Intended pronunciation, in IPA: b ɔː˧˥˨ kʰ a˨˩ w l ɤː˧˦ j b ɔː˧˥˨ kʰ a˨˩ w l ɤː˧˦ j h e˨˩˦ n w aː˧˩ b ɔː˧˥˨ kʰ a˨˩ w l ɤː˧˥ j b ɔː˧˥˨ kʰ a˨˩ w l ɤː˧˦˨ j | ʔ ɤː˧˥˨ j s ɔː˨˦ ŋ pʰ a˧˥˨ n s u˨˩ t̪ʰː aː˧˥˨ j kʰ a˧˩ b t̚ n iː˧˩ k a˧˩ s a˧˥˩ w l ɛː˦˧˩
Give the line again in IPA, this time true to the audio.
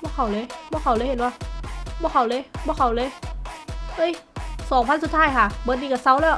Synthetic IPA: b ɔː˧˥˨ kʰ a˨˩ w l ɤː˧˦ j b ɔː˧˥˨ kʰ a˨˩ w l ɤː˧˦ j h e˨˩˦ n w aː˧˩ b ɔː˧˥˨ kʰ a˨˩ w l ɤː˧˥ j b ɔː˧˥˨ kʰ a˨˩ w l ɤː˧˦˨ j | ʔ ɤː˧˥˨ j s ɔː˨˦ ŋ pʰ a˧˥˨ n s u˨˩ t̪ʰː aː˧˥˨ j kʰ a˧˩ b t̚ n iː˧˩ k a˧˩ s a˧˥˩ w l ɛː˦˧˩